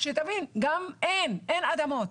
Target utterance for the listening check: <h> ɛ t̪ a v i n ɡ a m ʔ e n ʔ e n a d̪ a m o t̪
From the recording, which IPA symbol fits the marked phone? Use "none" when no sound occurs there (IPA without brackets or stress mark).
ʃ